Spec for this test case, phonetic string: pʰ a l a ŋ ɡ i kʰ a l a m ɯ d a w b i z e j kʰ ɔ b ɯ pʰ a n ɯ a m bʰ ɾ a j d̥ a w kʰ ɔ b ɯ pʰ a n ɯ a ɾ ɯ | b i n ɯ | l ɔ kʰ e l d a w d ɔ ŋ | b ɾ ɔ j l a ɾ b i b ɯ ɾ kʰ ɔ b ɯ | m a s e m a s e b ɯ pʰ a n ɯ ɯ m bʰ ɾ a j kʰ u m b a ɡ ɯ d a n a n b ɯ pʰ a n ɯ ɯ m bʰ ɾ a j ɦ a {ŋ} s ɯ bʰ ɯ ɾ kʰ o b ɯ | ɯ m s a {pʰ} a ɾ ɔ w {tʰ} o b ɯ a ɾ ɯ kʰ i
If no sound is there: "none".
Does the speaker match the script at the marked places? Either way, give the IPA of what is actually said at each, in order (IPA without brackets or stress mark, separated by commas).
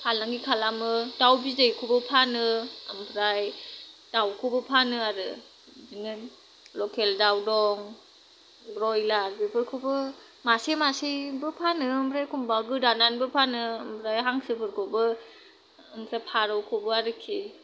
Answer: ŋ, pʰ, kʰ